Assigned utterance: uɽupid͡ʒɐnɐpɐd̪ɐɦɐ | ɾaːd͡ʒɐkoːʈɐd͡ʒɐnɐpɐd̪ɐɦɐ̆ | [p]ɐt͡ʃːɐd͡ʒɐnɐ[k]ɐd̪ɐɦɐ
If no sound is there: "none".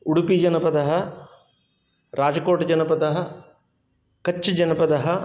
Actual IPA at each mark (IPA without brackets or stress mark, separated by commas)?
k, p